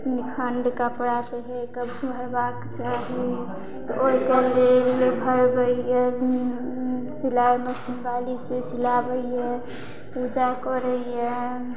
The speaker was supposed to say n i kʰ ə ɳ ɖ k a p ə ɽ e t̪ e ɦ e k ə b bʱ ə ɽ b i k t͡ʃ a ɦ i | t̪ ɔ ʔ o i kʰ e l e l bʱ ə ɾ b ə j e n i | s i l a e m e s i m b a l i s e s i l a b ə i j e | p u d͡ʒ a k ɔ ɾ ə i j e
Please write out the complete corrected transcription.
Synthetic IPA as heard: n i kʰ ə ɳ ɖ k a p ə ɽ a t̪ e ɦ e k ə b bʱ ə ɾ b a k t͡ʃ a ɦ i | t̪ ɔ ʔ o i k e l e l bʱ ə ɾ b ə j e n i | s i l a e m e s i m b a l i s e s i l a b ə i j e | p u d͡ʒ a k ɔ ɾ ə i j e

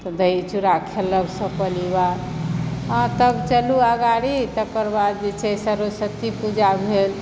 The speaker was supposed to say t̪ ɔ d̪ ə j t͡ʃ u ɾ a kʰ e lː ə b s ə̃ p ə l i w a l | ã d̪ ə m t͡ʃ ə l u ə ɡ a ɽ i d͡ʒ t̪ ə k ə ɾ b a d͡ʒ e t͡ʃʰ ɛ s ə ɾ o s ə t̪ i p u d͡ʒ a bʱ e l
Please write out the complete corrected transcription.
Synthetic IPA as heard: t̪ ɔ d̪ ə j t͡ʃ u ɾ a kʰ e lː ə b s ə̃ p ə l i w a ɾ | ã t̪ ə b t͡ʃ ə l u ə ɡ a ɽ i t̪ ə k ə ɾ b a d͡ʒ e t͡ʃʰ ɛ s ə ɾ o s ə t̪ i p u d͡ʒ a bʱ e l

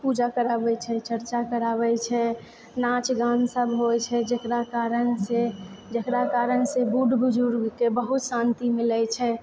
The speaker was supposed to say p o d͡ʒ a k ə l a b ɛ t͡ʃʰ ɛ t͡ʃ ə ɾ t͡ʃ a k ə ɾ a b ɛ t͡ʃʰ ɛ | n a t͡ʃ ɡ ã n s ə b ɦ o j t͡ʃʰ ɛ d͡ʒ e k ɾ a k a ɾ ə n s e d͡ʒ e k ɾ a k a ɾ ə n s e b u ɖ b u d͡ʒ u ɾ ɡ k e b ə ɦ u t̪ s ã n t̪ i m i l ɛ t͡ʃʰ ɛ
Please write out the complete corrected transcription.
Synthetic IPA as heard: p u d͡ʒ a k ə ɾ a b ɛ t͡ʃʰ ɛ t͡ʃ ə ɾ t͡ʃ a k ə ɾ a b ɛ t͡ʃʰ ɛ | n a t͡ʃ ɡ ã n s ə b ɦ o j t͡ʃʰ ɛ d͡ʒ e k ɾ a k a ɾ ə n s e d͡ʒ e k ɾ a k a ɾ ə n s e b u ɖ b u d͡ʒ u ɾ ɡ k e b ə ɦ u t̪ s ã n t̪ i m i l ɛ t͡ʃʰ ɛ

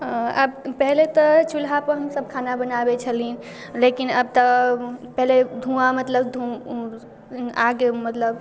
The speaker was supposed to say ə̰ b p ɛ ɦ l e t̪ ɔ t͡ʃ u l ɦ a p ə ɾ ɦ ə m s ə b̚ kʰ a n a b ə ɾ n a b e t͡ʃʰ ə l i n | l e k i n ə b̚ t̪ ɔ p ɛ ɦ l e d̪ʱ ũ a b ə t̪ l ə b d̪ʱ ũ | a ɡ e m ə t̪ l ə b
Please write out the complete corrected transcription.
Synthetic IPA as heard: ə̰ b p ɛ ɦ l e t̪ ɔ t͡ʃ u l ɦ a p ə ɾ ɦ ə m s ə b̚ kʰ a n a b ə n a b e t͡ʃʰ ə l i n | l e k i n ə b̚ t̪ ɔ p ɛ ɦ l e d̪ʱ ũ a m ə t̪ l ə b d̪ʱ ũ | a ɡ e m ə t̪ l ə b

